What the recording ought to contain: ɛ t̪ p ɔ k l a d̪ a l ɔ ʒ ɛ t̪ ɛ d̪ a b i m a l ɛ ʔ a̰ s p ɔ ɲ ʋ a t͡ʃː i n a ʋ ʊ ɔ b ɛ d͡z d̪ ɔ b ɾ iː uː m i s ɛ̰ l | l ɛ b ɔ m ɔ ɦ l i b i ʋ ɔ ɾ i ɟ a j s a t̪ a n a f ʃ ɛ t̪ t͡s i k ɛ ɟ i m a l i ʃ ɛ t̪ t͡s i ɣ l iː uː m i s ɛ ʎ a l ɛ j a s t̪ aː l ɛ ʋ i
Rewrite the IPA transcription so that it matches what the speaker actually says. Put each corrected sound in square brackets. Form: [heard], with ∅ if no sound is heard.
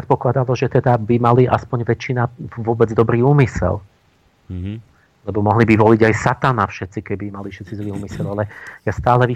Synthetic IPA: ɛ t̪ p ɔ k l a d̪ a l ɔ ʒ ɛ t̪ ɛ d̪ a b i m a l [i] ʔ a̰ s p ɔ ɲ ʋ [ɛ] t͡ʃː i n a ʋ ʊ ɔ b ɛ d͡z d̪ ɔ b ɾ iː uː m i s ɛ̰ l | l ɛ b ɔ m ɔ ɦ l i b i ʋ ɔ [l] i ɟ a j s a t̪ a n a f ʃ ɛ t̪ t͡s i k ɛ [b] i m a l i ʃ ɛ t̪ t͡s i [z] l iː uː m i s ɛ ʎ a l ɛ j a s t̪ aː l ɛ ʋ i